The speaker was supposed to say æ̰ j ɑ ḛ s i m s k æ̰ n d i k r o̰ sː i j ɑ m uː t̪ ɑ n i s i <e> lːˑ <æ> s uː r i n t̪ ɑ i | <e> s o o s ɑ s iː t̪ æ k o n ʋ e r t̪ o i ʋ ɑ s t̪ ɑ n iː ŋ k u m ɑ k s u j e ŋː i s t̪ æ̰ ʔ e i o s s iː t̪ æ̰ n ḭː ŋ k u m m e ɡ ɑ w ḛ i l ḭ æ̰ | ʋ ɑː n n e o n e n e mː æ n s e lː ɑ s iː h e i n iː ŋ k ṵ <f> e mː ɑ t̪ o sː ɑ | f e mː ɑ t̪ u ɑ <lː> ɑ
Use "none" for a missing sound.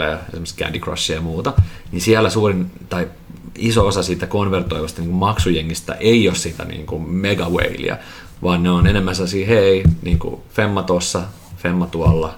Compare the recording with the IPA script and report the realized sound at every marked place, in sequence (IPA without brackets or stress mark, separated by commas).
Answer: æ, æ, i, f, lː